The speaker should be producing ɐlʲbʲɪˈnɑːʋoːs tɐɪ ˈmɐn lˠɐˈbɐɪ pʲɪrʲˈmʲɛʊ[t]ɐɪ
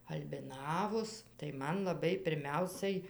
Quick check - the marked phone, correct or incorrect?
incorrect